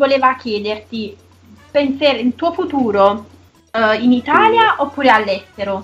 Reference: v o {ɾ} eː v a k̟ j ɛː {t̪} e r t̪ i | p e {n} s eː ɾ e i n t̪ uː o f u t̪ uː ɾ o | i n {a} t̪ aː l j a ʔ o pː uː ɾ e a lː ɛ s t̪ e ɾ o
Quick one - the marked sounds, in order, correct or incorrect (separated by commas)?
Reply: incorrect, incorrect, correct, incorrect